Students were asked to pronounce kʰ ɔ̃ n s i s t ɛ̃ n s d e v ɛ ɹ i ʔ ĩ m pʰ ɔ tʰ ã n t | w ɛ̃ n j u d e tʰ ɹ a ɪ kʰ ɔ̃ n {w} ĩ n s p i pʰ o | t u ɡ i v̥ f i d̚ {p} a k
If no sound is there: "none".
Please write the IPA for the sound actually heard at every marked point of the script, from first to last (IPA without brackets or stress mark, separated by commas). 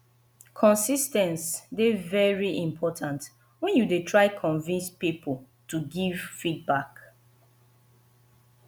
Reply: v, b